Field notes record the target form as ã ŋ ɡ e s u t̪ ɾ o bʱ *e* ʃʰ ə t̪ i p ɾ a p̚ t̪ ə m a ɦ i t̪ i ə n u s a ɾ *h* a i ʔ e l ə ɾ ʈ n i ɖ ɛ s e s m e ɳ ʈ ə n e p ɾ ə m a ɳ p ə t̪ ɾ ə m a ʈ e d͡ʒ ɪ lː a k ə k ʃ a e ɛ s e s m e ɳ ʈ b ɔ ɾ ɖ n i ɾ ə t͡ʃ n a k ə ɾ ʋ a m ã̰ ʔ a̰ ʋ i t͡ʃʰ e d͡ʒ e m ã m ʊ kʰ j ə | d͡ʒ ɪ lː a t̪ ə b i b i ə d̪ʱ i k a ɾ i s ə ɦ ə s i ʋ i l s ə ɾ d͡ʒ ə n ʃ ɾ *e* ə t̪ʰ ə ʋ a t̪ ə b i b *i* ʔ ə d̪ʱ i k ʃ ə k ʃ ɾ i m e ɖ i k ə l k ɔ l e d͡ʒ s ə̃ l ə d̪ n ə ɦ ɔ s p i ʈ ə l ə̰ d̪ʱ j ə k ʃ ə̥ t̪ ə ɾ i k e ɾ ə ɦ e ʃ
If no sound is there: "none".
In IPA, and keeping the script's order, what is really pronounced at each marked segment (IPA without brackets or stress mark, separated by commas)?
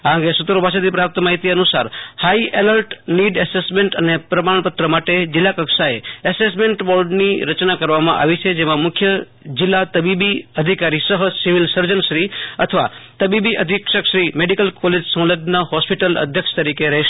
a, h, i, i